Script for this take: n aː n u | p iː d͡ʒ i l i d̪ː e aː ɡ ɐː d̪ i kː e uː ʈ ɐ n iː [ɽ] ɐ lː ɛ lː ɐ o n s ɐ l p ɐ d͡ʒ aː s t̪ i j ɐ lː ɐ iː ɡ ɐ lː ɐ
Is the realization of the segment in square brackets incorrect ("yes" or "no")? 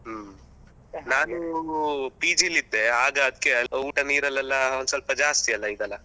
yes